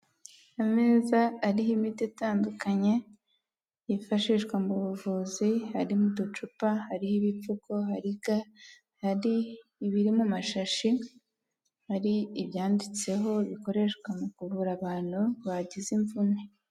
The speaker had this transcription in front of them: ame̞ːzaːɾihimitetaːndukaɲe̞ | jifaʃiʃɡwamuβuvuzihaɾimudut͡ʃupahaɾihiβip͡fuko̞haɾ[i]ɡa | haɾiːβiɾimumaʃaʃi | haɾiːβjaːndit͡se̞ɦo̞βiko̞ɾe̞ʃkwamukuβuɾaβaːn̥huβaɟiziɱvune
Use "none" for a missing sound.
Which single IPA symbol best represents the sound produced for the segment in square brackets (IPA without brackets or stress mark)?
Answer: i